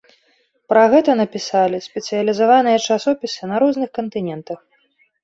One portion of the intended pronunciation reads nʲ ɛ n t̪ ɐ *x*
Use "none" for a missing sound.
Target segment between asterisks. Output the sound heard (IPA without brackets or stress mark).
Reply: x